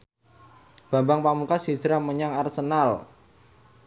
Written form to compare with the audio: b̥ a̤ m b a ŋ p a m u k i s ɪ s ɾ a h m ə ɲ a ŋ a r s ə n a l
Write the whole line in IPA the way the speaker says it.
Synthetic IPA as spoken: b̥ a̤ m b a ŋ p a m u k a s i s ɾ a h m ə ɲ a ŋ a r s ə n a l